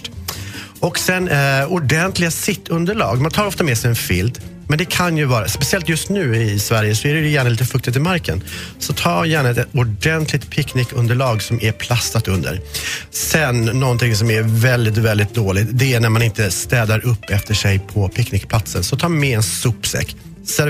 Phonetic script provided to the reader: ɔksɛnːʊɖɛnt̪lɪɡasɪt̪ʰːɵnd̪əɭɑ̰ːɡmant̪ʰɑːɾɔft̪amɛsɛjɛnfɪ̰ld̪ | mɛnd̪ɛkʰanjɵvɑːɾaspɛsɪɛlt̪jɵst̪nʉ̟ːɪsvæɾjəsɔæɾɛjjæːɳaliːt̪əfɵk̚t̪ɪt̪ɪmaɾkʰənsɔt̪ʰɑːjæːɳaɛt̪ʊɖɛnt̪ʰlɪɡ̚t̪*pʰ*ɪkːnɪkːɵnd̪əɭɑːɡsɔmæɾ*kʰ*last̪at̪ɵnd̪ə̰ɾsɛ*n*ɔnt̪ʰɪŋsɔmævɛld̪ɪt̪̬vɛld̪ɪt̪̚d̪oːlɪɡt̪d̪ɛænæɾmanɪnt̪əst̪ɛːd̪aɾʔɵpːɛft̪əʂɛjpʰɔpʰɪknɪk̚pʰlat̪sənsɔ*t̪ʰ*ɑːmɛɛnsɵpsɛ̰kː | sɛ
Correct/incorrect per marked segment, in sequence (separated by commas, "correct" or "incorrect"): correct, incorrect, incorrect, correct